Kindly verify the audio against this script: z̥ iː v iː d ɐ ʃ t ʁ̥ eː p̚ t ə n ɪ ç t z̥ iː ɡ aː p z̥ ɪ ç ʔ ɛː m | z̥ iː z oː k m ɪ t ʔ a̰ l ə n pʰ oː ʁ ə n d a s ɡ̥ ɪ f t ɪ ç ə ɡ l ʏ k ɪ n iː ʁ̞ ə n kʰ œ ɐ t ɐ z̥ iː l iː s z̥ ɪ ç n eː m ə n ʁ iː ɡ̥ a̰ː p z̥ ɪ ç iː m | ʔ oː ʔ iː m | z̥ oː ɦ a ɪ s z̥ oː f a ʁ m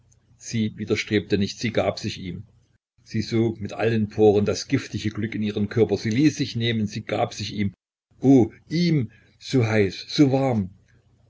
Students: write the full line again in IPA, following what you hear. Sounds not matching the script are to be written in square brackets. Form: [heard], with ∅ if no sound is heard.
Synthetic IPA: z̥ iː v iː d ɐ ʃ t ʁ̥ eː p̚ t ə n ɪ ç t z̥ iː ɡ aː p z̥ ɪ ç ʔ [iː] m | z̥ iː z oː k m ɪ t ʔ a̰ l ə n pʰ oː ʁ ə n d a s ɡ̥ ɪ f t ɪ ç ə ɡ l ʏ k ɪ n iː ʁ̞ ə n kʰ œ ɐ [p] ɐ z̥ iː l iː s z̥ ɪ ç n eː m ə n [z] iː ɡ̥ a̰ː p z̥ ɪ ç iː m | ʔ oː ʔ iː m | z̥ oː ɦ a ɪ s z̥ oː [v] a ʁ m